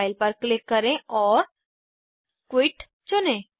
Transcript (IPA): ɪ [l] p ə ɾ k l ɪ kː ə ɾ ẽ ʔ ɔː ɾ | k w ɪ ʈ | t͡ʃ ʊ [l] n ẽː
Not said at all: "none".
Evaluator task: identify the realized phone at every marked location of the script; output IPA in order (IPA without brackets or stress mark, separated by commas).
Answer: l, none